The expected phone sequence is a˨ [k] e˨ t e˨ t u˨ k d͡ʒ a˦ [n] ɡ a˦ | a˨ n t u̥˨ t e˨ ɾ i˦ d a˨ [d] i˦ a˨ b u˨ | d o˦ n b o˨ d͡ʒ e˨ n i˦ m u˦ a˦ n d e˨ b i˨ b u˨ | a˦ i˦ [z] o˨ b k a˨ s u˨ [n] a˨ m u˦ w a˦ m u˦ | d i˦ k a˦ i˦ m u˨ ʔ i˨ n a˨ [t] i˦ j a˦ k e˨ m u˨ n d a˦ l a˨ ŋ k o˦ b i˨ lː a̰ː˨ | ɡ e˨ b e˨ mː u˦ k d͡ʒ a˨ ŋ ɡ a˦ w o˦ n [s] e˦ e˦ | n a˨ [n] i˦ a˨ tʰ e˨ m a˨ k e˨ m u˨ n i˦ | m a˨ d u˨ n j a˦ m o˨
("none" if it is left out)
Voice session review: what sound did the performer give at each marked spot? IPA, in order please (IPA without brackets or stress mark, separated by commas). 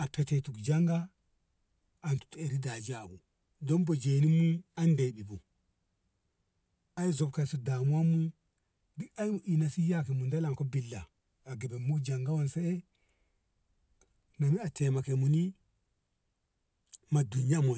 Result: p, ŋ, d͡ʒ, z, d, s, s, m